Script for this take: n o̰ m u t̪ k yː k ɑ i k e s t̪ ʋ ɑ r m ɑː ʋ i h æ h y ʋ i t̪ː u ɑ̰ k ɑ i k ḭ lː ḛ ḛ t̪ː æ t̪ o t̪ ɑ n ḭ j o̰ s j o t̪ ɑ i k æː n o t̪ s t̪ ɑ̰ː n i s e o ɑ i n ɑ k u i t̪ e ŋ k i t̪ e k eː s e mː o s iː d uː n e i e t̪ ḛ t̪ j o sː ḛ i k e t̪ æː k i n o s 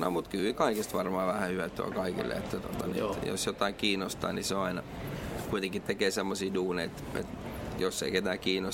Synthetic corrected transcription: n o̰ m u t̪ k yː k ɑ i k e s t̪ ʋ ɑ r m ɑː ʋ æ h æ h y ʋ æ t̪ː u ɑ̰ k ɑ i k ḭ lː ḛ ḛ t̪ː æ t̪ o t̪ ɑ n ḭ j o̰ s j o t̪ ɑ i k iː n o s t̪ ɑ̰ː n i s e o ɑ i n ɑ k u i t̪ e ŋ k i t̪ e k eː s e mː o s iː d uː n e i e t̪ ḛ t̪ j o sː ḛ i k e t̪ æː k iː n o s